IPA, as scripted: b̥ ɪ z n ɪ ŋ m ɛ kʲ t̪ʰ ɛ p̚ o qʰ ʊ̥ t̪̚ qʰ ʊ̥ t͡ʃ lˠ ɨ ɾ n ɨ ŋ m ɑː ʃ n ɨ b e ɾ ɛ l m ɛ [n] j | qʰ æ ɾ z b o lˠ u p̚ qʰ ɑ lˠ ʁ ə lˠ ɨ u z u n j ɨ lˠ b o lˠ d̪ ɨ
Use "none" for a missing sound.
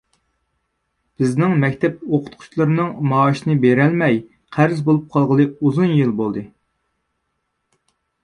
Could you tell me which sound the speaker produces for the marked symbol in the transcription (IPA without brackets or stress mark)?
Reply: none